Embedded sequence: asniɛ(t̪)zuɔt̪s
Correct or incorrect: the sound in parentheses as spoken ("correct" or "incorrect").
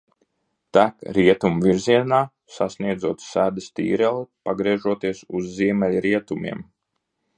incorrect